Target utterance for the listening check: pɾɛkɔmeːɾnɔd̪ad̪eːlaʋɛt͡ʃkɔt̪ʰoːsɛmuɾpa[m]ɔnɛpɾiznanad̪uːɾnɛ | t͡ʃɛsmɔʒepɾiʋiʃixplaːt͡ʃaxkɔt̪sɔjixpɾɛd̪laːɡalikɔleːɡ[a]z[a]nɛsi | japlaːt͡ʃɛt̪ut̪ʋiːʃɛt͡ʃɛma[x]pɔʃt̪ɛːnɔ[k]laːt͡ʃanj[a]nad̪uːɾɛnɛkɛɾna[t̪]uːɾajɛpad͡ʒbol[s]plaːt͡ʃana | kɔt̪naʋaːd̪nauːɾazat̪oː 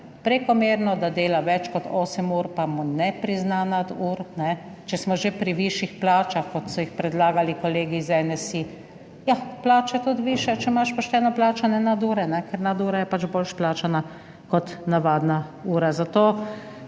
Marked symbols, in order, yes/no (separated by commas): yes, no, no, no, no, no, no, no